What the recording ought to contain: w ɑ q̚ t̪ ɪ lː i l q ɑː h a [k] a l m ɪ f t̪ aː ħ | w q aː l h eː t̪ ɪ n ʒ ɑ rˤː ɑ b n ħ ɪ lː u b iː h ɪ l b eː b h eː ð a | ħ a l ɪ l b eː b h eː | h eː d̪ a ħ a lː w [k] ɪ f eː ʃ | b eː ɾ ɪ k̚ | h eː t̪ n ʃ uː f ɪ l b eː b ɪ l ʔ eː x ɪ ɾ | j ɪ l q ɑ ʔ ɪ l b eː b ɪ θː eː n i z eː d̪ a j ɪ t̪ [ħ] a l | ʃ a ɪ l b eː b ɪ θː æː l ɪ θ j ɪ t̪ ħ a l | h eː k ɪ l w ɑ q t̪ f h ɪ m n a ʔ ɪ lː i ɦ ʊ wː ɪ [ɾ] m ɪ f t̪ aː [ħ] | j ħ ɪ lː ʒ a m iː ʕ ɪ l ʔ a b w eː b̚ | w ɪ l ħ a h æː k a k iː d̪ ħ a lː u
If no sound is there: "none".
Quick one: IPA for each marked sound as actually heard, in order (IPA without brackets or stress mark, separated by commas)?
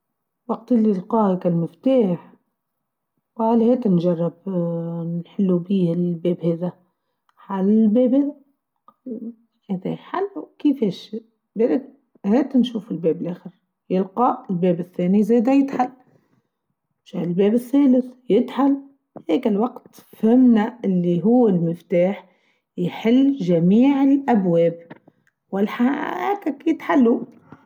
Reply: k, k, ħ, l, ħ